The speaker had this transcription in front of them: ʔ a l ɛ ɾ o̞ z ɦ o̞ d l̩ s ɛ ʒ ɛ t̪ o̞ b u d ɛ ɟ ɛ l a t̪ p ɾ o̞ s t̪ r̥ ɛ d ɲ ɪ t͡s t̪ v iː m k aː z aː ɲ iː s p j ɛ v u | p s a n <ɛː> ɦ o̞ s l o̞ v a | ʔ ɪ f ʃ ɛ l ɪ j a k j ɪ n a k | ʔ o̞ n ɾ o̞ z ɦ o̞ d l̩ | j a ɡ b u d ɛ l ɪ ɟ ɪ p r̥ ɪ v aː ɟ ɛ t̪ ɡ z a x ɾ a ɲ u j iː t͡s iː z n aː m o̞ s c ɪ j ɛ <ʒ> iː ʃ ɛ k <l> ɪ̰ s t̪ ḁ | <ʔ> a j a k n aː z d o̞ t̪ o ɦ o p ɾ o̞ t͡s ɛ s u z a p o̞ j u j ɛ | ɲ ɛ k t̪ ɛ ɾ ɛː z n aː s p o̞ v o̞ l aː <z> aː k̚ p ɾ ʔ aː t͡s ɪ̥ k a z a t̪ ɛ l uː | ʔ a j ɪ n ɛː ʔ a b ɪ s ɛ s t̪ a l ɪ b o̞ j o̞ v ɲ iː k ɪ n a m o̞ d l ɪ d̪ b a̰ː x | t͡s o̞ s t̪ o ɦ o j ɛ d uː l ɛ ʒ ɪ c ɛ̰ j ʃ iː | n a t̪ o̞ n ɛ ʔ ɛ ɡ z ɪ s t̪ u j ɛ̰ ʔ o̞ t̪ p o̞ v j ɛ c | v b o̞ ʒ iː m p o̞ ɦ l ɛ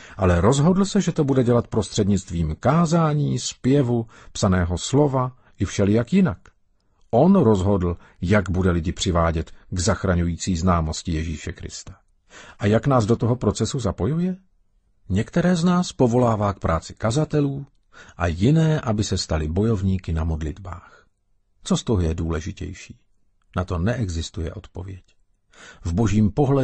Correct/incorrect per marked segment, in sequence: correct, correct, incorrect, correct, incorrect

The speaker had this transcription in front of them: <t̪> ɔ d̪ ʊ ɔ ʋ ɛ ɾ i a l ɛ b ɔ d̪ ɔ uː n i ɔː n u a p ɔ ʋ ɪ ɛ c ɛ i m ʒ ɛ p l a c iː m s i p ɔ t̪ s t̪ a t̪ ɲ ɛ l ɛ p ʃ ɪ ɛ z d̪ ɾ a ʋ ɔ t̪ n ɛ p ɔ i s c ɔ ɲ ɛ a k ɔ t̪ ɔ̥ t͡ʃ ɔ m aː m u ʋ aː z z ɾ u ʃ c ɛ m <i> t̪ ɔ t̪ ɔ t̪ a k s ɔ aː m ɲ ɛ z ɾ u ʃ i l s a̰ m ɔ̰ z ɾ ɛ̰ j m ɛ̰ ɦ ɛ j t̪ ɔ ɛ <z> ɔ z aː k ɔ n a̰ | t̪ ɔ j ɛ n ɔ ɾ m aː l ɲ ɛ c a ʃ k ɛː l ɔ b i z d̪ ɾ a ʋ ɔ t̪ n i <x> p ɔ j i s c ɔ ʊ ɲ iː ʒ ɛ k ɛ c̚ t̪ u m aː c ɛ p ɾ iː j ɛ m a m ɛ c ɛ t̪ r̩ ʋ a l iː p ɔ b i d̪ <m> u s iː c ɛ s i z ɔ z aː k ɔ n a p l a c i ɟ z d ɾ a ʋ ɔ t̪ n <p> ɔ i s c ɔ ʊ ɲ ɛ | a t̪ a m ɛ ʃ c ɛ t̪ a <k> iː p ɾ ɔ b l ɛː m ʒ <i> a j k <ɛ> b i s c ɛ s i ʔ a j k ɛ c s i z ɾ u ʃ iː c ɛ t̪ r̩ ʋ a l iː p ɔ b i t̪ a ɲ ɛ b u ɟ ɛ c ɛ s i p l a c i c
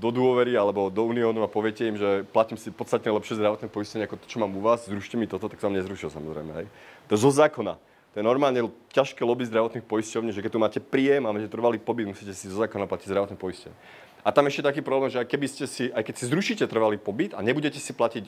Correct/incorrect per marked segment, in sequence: incorrect, correct, correct, correct, correct, correct, correct, incorrect, correct

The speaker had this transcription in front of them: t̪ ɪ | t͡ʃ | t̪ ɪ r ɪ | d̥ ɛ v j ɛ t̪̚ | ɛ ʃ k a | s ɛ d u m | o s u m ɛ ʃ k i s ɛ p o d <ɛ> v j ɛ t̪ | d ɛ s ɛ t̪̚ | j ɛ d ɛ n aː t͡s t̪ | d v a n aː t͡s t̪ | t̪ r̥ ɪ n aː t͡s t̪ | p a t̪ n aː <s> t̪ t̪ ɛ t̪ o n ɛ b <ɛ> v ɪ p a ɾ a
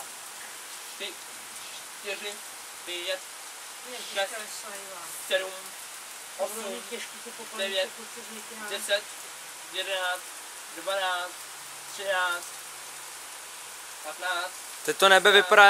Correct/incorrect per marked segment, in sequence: correct, incorrect, correct

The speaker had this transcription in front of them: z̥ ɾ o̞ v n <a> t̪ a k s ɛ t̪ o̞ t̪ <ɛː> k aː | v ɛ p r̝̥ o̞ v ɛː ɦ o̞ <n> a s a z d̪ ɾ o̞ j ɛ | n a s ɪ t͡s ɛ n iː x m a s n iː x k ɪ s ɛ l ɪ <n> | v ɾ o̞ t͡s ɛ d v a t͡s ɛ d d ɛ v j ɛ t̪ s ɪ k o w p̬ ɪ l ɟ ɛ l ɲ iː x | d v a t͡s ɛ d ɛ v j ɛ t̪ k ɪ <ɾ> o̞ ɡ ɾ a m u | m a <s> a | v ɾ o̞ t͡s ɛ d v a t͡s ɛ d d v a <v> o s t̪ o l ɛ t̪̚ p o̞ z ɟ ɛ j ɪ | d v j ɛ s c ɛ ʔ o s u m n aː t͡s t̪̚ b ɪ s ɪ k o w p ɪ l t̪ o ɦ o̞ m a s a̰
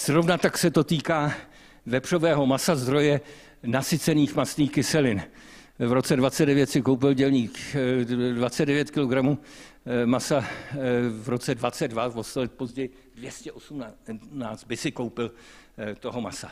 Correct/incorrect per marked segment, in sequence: correct, incorrect, incorrect, correct, incorrect, correct, correct

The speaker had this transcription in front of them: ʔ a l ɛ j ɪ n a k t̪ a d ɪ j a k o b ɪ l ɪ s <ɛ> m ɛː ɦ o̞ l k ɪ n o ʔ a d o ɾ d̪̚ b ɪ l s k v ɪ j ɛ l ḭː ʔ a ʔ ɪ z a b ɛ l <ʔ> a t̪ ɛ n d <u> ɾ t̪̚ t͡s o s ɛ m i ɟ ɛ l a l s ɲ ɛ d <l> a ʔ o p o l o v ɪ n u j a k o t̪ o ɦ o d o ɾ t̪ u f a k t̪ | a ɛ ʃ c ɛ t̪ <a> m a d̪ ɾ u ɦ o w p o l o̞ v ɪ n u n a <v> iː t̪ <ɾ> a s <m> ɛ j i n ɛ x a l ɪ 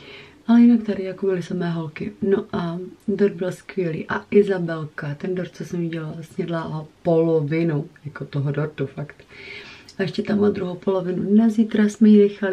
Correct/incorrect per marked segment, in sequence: incorrect, incorrect, incorrect, correct, correct, incorrect, correct, correct

